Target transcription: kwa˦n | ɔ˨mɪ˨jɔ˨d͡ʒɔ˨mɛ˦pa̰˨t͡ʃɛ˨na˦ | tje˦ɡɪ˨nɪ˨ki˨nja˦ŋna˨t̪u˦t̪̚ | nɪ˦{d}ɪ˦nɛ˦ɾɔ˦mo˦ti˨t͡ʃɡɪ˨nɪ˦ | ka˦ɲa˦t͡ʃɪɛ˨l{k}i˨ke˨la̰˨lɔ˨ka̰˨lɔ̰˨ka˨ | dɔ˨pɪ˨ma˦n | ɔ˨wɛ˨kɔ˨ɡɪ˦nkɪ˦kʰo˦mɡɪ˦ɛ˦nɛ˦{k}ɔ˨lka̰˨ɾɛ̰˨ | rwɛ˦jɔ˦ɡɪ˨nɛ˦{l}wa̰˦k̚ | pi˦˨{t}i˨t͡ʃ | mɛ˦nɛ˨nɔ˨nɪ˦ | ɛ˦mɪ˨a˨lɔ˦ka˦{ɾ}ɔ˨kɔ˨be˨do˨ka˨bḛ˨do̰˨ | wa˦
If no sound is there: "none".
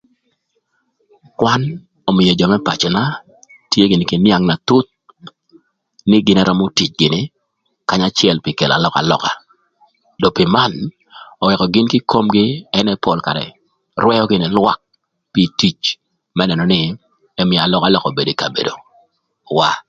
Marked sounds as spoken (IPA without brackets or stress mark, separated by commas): ɡ, p, p, l, t, l